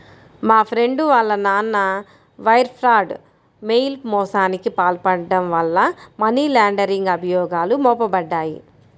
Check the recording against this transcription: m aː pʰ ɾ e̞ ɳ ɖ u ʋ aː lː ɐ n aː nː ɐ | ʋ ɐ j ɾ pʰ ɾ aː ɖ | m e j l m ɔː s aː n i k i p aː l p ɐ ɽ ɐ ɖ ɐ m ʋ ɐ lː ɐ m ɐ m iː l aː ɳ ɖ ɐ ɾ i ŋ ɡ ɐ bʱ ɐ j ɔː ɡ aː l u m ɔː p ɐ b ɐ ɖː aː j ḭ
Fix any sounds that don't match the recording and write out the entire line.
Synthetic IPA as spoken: m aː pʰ ɾ e̞ ɳ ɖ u ʋ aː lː ɐ n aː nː ɐ | ʋ ɐ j ɾ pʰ ɾ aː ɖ | m e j l m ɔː s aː n i k i p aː l p ɐ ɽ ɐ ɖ ɐ m ʋ ɐ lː ɐ m ɐ n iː l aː ɳ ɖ ɐ ɾ i ŋ ɡ ɐ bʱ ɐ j ɔː ɡ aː l u m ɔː p ɐ b ɐ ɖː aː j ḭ